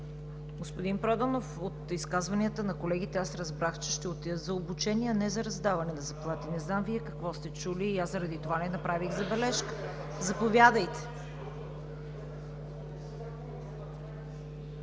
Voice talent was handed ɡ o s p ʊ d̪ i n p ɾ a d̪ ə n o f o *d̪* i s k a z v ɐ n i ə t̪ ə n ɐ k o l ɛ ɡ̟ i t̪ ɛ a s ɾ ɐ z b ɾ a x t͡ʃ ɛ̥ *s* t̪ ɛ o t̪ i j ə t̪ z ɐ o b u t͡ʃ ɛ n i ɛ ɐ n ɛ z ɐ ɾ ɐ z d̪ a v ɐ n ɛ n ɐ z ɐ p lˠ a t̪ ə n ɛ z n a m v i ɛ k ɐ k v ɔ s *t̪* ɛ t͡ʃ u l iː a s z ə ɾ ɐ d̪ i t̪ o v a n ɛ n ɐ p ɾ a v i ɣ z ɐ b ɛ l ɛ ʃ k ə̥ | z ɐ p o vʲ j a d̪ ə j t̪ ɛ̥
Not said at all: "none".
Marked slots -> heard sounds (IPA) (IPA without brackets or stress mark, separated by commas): t̪, ʃ, t̪